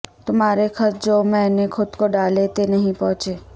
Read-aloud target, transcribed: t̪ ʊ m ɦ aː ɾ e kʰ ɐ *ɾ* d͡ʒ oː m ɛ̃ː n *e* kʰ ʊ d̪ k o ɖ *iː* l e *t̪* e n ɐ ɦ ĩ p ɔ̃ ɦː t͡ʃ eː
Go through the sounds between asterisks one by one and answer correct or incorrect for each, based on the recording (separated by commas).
correct, correct, incorrect, correct